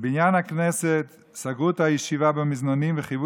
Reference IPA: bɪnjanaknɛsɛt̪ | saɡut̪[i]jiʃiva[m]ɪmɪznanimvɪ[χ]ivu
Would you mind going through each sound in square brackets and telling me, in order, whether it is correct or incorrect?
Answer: incorrect, incorrect, correct

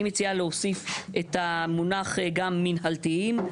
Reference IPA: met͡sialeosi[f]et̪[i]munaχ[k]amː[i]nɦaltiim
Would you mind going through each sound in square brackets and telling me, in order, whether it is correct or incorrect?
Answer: correct, incorrect, incorrect, correct

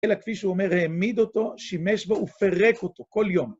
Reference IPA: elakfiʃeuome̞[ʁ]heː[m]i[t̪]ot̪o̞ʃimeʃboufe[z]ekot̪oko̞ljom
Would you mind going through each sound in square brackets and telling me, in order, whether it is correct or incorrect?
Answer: correct, correct, incorrect, incorrect

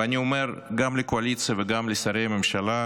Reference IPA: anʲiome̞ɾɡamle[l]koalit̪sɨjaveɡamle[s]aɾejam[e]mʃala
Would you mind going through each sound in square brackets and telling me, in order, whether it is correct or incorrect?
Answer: incorrect, correct, correct

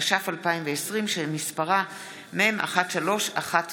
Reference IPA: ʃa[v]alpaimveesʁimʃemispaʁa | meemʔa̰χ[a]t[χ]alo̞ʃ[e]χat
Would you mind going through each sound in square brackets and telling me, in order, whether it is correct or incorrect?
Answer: incorrect, correct, incorrect, incorrect

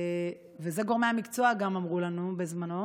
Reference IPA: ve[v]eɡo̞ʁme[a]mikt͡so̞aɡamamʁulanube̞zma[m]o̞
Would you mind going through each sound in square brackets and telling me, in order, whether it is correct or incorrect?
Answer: incorrect, correct, incorrect

